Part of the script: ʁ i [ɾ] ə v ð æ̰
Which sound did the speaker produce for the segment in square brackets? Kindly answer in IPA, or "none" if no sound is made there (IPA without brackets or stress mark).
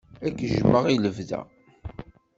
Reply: l